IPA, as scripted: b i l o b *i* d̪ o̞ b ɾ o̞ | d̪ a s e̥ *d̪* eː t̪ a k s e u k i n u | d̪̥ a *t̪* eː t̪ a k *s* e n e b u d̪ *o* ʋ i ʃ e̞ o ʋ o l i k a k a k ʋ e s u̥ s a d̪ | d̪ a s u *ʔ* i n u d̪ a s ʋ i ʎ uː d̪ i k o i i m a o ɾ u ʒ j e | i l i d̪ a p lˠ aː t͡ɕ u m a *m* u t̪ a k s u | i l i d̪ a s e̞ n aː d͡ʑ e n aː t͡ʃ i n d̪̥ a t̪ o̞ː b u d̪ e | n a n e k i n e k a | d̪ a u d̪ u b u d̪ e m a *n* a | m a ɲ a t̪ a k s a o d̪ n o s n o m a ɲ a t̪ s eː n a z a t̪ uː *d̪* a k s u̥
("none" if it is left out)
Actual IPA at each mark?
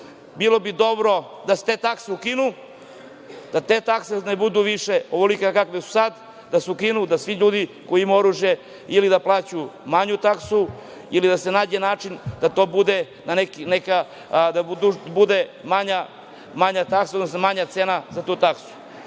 i, t̪, t̪, s, u, k, ɲ, ɲ, t̪

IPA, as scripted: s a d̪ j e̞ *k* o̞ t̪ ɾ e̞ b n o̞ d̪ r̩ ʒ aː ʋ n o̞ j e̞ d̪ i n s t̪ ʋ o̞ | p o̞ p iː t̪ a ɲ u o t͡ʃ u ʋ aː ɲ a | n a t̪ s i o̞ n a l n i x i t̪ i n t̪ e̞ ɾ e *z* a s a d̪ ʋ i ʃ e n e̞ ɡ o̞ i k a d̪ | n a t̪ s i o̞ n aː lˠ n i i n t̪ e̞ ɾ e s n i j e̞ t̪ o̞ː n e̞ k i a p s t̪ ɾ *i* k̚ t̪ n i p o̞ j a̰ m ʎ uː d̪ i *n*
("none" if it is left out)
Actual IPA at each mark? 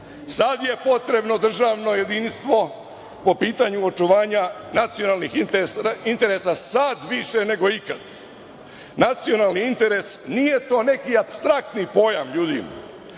p, s, a, m

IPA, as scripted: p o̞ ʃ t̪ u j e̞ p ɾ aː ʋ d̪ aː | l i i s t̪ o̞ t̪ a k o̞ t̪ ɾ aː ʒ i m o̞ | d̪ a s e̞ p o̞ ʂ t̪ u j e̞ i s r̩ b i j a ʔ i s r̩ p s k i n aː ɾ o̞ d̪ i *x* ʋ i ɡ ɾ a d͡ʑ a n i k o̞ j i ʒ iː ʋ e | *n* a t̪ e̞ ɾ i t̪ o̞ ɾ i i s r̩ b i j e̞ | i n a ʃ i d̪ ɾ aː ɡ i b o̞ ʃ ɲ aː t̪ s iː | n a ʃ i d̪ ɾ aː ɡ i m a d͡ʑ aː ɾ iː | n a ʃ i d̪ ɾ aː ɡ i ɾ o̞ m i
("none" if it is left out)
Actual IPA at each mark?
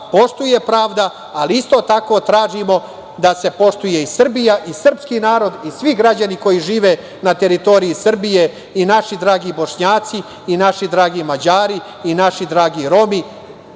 s, n

